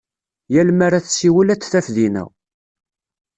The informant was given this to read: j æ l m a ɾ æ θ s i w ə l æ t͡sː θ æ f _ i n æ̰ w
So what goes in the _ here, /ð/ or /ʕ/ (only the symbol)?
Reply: ð